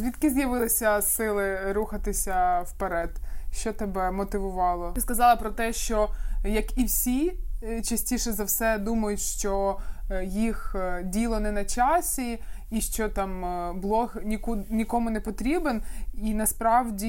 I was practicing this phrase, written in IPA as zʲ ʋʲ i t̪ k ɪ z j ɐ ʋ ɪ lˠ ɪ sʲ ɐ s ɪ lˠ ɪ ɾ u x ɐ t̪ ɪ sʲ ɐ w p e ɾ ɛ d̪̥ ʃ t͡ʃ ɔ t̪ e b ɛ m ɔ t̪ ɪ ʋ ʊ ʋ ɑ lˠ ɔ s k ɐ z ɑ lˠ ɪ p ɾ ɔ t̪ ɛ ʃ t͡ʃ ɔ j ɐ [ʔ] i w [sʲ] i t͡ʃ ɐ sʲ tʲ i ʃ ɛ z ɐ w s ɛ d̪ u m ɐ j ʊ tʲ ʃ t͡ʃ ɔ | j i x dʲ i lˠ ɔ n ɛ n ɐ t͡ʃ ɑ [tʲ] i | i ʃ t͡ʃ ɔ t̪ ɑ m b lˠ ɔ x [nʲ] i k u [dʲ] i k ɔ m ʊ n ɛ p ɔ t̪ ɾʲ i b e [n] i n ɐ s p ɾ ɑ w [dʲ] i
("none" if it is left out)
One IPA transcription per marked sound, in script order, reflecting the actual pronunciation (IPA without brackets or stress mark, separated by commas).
k, sʲ, sʲ, nʲ, nʲ, n, dʲ